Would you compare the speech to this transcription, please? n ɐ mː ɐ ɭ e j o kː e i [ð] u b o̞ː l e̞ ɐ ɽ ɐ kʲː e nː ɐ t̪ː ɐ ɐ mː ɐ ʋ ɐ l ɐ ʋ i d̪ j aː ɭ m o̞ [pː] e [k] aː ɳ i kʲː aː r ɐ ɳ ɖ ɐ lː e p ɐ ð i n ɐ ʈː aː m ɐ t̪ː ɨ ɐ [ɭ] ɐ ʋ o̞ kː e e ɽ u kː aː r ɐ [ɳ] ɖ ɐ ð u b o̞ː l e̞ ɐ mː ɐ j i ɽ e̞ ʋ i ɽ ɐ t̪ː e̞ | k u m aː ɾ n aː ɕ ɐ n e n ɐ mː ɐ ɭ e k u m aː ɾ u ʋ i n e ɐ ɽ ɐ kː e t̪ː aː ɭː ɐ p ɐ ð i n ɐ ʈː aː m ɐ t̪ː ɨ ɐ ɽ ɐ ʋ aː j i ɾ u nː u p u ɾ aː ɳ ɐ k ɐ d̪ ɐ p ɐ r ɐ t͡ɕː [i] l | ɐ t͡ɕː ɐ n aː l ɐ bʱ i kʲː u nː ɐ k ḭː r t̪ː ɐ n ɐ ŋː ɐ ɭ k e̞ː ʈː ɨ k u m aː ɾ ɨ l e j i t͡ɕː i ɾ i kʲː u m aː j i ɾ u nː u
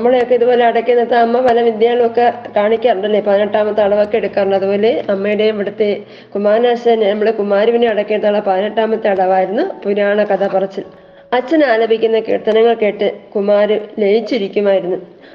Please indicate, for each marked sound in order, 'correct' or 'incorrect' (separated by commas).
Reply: correct, incorrect, correct, incorrect, correct, correct